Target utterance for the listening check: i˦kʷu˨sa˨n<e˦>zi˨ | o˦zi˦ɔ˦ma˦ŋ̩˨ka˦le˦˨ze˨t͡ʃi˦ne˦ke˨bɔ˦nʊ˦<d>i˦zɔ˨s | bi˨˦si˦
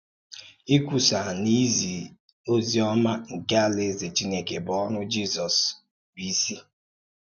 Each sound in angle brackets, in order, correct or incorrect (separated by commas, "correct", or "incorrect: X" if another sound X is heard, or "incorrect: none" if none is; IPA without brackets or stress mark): incorrect: i˦, incorrect: d͡ʒ